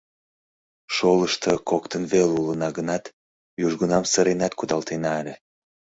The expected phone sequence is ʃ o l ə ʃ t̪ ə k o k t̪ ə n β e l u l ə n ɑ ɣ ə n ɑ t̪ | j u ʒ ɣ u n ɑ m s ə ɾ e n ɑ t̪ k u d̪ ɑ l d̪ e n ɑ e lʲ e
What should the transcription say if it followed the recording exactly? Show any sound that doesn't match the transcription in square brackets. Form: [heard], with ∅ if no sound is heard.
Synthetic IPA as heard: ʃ o l ə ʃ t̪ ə k o k t̪ ə n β e l u l ə n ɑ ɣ ə n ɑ t̪ | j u ʒ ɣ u n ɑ m s ə ɾ e n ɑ t̪ k u d̪ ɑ l [t̪] e n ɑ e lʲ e